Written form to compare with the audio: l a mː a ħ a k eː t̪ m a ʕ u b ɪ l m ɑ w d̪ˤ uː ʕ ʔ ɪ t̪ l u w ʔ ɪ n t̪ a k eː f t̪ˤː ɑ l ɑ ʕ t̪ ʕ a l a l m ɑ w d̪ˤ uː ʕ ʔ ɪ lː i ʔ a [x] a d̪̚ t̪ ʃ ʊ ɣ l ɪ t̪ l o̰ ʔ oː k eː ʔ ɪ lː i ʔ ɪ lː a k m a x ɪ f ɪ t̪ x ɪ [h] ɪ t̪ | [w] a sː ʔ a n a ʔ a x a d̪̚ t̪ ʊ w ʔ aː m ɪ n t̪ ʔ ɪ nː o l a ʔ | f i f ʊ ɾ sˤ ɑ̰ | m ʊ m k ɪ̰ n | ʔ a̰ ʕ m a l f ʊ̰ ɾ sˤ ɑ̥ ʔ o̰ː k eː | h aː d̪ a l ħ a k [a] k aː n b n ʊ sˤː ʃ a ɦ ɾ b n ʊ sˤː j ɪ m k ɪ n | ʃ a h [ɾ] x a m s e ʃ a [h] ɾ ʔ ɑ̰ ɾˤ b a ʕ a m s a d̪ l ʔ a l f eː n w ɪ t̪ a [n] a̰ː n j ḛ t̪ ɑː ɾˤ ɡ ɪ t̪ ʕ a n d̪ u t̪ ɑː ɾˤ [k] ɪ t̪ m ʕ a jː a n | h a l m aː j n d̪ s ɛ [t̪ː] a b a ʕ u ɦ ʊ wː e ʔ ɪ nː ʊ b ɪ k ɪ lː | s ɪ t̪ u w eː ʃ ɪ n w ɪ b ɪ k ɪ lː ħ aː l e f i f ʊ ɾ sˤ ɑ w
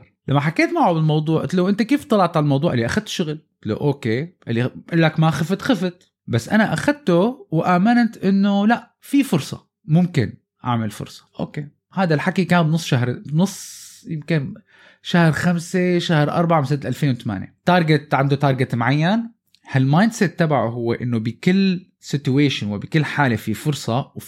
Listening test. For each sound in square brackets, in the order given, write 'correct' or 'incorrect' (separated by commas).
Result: correct, incorrect, incorrect, incorrect, correct, correct, incorrect, incorrect, correct